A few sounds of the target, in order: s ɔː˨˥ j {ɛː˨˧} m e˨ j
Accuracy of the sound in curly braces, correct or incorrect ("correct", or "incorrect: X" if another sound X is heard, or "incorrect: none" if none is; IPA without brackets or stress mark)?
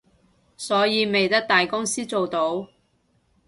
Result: incorrect: iː˨˧